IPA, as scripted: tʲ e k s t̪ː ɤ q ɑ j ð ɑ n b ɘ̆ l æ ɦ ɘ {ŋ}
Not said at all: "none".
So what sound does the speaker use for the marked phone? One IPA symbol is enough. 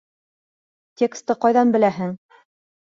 ŋ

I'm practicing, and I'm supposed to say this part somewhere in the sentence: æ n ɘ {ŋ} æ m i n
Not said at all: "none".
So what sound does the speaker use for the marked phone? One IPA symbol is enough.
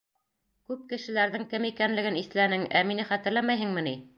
ŋ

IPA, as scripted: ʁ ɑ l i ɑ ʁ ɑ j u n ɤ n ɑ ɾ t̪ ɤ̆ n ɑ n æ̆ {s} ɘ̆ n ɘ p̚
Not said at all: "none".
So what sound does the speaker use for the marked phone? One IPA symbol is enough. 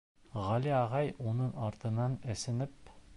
s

